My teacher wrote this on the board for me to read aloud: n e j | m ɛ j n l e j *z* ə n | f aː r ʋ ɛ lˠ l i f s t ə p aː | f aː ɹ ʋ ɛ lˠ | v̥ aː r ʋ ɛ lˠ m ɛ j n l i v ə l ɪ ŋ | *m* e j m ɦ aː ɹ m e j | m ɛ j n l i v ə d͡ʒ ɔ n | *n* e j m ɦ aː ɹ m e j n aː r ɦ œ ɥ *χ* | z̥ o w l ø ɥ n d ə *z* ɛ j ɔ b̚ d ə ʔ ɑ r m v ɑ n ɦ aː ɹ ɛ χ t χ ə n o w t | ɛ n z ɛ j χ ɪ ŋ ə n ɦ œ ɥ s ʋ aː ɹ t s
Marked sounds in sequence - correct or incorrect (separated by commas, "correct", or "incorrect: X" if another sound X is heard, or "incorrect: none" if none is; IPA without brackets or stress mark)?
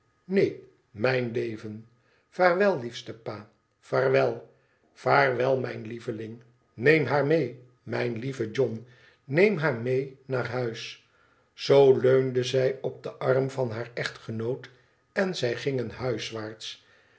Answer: incorrect: v, incorrect: n, correct, incorrect: s, correct